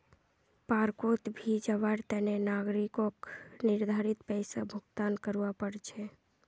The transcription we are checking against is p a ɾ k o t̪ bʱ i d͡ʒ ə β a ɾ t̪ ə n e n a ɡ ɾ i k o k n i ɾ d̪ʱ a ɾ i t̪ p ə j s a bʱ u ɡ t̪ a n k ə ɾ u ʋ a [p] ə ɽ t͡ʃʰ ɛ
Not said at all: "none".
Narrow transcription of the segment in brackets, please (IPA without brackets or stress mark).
p